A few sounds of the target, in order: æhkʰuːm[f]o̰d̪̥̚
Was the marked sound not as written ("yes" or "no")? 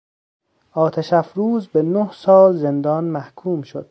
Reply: yes